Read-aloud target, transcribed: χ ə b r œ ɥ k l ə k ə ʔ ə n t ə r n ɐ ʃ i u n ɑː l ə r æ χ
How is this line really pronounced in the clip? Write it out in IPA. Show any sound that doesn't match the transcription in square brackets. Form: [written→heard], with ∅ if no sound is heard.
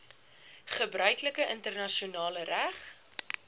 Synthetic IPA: χ ə b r œ ɥ k l ə k ə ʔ ə n t ə r n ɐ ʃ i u n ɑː l ə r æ χ